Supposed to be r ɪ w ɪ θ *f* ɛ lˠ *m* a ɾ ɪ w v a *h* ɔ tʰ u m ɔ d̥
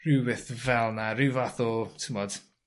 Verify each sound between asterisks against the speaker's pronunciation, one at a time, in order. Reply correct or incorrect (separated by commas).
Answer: incorrect, incorrect, incorrect